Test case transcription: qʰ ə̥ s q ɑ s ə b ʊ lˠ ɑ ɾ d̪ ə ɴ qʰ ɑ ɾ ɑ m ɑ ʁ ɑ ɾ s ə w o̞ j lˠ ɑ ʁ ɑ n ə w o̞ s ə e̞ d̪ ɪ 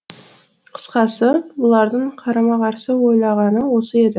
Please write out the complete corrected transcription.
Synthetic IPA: qʰ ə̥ s q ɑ s ə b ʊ lˠ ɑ ɾ d̪ ə ɴ qʰ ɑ ɾ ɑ m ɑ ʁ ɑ ɾ s ə w o̞ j lˠ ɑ ʁ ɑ n ə w o̞ s ə e̞ d̪ ɪ

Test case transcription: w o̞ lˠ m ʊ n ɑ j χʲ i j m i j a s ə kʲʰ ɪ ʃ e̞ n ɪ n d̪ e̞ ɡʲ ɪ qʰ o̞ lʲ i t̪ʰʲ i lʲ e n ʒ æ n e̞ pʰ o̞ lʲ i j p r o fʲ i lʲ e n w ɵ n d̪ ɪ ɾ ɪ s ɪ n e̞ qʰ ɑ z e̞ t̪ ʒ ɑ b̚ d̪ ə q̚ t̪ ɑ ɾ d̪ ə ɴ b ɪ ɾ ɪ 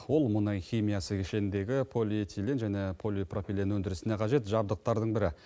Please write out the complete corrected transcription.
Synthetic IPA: w o̞ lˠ m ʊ n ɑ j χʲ i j m i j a s ə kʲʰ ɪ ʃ e̞ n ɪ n d̪ e̞ ɡʲ ɪ pʰ o̞ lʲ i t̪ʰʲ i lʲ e n ʒ æ n e̞ pʰ o̞ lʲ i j p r o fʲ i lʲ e n w ɵ n d̪ ɪ ɾ ɪ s ɪ n e̞ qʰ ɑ ʒ e̞ t̪ ʒ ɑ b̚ d̪ ə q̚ t̪ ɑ ɾ d̪ ə ɴ b ɪ ɾ ɪ

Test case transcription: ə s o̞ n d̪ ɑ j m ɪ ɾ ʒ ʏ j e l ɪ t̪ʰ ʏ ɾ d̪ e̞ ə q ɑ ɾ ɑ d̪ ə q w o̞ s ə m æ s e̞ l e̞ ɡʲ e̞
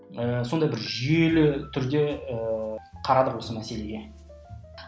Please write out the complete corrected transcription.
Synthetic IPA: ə s o̞ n d̪ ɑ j b ɪ ɾ ʒ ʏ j e l ɪ t̪ʰ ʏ ɾ d̪ e̞ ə qʰ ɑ ɾ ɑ d̪ ə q w o̞ s ə m æ s e̞ l e̞ ɡʲ e̞

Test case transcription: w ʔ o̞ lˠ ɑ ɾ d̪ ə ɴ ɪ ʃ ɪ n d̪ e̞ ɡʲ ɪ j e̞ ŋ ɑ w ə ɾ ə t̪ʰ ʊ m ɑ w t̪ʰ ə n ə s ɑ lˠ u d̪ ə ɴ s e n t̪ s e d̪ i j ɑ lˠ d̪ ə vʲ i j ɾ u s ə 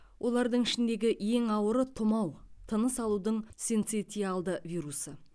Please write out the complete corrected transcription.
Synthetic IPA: w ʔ o̞ lˠ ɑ ɾ d̪ ə ɴ ɪ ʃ ɪ n d̪ e̞ ɡʲ ɪ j e̞ ŋ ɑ w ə ɾ ə t̪ʰ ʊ m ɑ w t̪ʰ ə n ə s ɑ lˠ u d̪ ə ɴ s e n t̪ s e t̪ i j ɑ lˠ d̪ ə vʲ i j ɾ u s ə

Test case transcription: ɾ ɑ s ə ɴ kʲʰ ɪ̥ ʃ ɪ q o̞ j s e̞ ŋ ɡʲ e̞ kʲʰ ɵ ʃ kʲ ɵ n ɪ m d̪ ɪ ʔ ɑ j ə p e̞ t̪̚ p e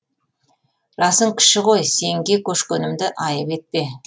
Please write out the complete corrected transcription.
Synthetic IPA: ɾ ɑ s ə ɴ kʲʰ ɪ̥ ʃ ɪ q o̞ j s e̞ ŋ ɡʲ e̞ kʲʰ ɵ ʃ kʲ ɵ n ɪ m d̪ ɪ ʔ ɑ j ə p e̞ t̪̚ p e

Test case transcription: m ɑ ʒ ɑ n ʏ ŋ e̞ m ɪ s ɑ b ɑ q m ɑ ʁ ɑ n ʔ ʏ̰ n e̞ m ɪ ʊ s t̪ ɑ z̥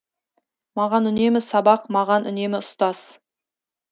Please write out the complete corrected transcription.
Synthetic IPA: m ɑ ʁ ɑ n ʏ n e̞ m ɪ s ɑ b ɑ q m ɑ ʁ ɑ n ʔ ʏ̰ n e̞ m ɪ ʊ s t̪ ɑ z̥

